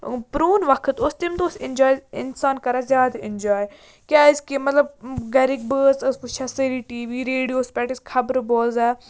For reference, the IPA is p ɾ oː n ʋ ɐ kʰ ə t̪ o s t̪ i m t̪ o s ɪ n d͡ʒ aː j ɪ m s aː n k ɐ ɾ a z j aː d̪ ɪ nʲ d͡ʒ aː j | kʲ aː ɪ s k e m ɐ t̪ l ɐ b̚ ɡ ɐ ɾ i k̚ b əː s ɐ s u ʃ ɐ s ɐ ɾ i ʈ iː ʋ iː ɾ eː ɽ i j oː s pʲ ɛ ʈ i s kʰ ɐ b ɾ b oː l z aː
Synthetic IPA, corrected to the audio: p ɾ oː n ʋ ɐ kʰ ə t̪ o s t̪ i m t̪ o s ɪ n d͡ʒ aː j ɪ n s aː n k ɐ ɾ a z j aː d̪ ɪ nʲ d͡ʒ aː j | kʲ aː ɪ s k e m ɐ t̪ l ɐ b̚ ɡ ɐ ɾ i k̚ b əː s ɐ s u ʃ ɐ s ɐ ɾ i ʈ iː ʋ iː ɾ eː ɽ i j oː s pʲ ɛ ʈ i s kʰ ɐ b ɾ b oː l z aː